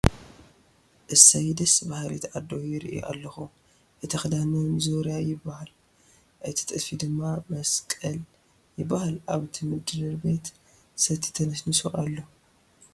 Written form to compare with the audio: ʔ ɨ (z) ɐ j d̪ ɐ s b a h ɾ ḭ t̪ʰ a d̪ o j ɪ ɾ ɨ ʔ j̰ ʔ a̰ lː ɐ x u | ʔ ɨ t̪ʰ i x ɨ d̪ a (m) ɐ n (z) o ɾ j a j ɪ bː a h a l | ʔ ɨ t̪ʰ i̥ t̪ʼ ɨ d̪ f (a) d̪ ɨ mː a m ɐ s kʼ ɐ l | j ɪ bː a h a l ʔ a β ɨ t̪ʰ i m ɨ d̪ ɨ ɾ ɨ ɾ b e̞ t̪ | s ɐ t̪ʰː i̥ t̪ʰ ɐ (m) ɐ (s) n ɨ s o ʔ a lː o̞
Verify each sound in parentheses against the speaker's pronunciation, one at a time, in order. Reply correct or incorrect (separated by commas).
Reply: incorrect, incorrect, correct, incorrect, incorrect, correct